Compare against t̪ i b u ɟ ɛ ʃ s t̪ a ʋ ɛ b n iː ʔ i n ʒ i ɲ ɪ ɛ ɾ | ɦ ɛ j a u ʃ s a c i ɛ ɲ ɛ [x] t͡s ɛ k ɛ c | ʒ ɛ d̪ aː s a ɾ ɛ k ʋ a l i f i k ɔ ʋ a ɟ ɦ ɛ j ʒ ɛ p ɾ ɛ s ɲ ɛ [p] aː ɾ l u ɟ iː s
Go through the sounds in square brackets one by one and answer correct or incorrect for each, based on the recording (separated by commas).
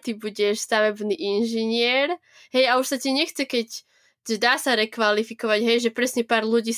correct, correct